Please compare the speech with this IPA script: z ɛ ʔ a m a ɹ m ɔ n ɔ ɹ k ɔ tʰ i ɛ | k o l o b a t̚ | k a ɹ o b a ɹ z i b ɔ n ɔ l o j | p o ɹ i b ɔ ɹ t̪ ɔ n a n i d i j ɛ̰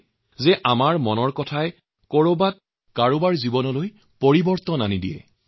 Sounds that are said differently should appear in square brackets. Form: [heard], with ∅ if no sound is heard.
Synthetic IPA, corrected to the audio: z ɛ ʔ a m a ɹ m ɔ n ɔ ɹ k ɔ tʰ [a] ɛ | k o [ɹ] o b a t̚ | k a ɹ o b a ɹ z i b ɔ n ɔ l o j | p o ɹ i b ɔ ɹ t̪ ɔ n a n i d i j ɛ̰

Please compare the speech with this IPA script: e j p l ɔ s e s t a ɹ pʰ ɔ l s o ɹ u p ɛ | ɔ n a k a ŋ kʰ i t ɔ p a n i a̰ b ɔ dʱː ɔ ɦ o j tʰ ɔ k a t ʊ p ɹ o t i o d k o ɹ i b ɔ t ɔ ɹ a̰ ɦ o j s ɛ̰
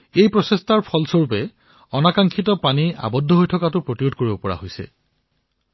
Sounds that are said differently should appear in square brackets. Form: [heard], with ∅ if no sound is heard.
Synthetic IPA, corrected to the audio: e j p [ɹ] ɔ s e s t a ɹ pʰ ɔ l s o ɹ u p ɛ | ɔ n a k a ŋ kʰ i t ɔ p a n i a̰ b ɔ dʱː ɔ ɦ o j tʰ ɔ k a t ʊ p ɹ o t i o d k o ɹ i b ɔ [p] ɔ ɹ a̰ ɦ o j s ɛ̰

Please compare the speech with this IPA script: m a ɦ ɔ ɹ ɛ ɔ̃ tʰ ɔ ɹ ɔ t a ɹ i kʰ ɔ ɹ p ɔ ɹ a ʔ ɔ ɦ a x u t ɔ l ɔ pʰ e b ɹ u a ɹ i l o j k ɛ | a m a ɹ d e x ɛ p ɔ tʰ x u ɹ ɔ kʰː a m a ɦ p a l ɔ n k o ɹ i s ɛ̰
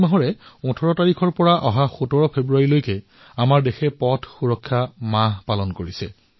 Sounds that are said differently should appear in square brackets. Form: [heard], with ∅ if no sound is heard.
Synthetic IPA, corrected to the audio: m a ɦ ɔ ɹ ɛ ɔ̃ tʰ ɔ ɹ ɔ t a ɹ i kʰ ɔ ɹ p ɔ ɹ a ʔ ɔ ɦ a x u t ɔ [ɹ] ɔ pʰ e b ɹ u a ɹ i l o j k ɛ | a m a ɹ d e x ɛ p ɔ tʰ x u ɹ ɔ kʰː a m a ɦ p a l ɔ n k o ɹ i s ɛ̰

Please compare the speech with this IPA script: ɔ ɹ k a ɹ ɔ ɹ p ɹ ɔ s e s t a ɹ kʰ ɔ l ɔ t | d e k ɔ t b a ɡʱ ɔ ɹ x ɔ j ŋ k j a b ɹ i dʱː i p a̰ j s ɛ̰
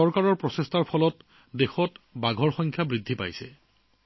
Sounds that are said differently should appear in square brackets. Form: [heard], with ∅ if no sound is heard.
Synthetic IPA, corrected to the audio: ɔ ɹ k a ɹ ɔ ɹ p ɹ ɔ s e s t a ɹ [pʰ] ɔ l ɔ t | d e [x] ɔ t b a ɡʱ ɔ ɹ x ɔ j ŋ [kʰ] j a b ɹ i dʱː i p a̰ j s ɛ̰

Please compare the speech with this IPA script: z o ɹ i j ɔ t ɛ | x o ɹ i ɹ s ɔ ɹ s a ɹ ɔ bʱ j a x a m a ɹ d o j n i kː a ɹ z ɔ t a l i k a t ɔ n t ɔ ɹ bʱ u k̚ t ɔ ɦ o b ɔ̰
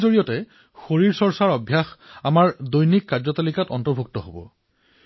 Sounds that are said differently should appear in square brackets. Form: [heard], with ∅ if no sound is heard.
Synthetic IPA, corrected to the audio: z o ɹ i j ɔ t ɛ | x o ɹ i ɹ s ɔ ɹ s a ɹ ɔ bʱ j a x a m a ɹ d o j n i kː a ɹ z ɔ t a l i k a t ɔ n t ɔ ɹ bʱ u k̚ t ɔ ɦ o b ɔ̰

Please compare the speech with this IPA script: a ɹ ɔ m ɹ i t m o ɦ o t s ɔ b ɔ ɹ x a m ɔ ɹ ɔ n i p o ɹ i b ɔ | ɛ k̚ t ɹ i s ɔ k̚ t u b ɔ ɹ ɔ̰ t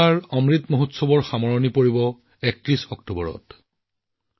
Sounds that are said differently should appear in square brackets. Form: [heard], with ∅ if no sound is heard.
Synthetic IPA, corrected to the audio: a ɹ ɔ m ɹ i t m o ɦ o t s ɔ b ɔ ɹ x a m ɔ ɹ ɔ n i p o ɹ i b ɔ | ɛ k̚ t ɹ i s ɔ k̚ t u b ɔ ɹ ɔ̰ t

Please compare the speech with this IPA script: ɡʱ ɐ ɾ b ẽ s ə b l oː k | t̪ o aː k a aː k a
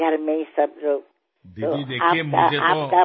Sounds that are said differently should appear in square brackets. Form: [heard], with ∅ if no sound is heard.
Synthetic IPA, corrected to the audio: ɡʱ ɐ ɾ [m] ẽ s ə b [ɾ] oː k | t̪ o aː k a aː k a

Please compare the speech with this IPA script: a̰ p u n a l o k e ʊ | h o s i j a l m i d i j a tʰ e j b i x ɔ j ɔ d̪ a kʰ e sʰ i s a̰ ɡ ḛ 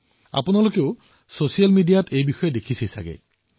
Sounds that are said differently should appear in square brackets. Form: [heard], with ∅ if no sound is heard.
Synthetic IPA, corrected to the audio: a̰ p u n a l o k e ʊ | [s] o s i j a l m i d i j a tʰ e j b i x ɔ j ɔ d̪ [e] kʰ [i] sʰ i s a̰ ɡ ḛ

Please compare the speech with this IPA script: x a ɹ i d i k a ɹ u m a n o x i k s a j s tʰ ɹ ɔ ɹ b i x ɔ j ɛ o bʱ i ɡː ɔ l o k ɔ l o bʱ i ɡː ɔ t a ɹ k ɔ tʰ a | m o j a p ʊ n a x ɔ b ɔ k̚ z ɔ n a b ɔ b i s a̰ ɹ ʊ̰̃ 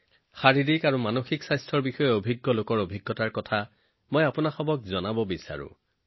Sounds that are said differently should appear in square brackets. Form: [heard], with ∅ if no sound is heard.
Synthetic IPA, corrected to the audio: x a ɹ i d i k a ɹ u m a n o x i k s a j s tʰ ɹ ɔ ɹ b i x ɔ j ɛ o bʱ i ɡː ɔ l o k ɔ [ɹ] o bʱ i ɡː ɔ t a ɹ k ɔ tʰ a | m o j a p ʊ n a x ɔ b ɔ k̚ z ɔ n a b ɔ b i s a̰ ɹ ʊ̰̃

